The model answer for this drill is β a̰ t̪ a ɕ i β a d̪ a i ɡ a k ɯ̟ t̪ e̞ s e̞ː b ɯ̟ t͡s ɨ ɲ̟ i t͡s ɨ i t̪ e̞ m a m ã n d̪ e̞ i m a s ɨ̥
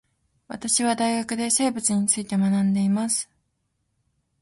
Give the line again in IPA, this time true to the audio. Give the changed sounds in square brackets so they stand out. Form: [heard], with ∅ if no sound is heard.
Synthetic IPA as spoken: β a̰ t̪ a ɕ i β a d̪ a i ɡ a k ɯ̟ [d̪] e̞ s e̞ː b ɯ̟ t͡s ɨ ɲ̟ i t͡s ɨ i t̪ e̞ m a [n] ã n d̪ e̞ i m a s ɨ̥

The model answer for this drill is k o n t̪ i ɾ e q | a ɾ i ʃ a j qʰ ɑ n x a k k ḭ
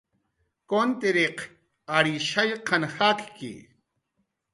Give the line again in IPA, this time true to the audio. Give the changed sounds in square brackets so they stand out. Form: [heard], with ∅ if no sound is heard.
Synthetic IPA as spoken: k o n t̪ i ɾ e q | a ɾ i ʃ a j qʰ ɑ n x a k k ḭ

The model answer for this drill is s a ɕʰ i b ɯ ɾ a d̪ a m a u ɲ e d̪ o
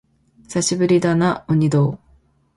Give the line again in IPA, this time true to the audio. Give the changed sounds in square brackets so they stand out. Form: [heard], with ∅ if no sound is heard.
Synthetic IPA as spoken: s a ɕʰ i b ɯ ɾ [i] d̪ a [n] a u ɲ [i] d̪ o

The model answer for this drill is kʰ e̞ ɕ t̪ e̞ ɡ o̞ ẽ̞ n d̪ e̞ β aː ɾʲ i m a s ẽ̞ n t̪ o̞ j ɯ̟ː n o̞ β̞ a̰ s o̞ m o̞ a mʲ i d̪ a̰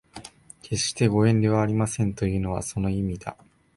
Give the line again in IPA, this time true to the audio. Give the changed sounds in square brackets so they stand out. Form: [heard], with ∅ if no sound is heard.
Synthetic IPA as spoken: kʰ e̞ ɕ t̪ e̞ ɡ o̞ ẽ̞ n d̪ e̞ β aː ɾʲ i m a s ẽ̞ n t̪ o̞ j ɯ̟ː n o̞ β̞ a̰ s o̞ [n] o̞ [i] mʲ i d̪ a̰

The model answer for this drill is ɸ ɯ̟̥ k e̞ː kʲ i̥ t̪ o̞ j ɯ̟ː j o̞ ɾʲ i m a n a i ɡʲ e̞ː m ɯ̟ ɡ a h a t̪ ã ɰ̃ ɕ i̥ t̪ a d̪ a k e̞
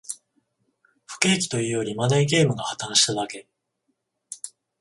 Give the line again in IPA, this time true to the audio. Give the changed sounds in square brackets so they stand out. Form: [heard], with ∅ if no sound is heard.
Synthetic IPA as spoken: ɸ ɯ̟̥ k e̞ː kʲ i̥ t̪ o̞ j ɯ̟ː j o̞ ɾʲ i m a n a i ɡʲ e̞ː m ɯ̟ ɡ a h a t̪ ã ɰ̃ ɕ i̥ t̪ a d̪ a k e̞

